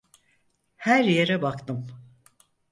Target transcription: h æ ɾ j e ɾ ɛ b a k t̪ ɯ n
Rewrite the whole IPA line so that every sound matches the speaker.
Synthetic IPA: h æ ɾ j e ɾ ɛ b a k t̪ ɯ m